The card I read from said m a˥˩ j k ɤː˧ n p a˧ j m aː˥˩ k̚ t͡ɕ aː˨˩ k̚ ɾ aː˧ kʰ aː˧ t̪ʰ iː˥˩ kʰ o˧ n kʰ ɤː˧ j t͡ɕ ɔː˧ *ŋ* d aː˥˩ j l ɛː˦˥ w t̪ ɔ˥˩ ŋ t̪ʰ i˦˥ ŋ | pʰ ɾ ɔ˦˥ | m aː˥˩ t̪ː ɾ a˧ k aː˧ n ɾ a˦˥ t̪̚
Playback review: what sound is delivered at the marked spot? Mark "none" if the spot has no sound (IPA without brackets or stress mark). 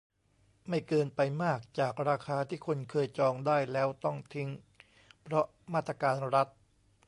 ŋ